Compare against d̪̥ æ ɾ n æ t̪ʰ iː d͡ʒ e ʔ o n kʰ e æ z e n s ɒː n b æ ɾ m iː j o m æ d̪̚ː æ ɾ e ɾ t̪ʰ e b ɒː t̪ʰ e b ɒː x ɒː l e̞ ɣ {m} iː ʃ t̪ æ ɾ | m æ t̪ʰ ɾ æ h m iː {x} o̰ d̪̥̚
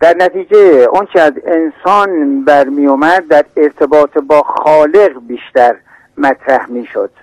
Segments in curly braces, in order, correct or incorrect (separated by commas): incorrect, incorrect